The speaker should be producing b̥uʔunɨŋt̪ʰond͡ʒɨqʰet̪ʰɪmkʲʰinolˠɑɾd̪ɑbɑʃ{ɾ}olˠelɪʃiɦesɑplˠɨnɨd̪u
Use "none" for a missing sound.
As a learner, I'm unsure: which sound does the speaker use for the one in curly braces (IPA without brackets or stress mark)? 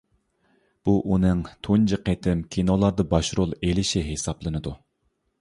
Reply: ɾ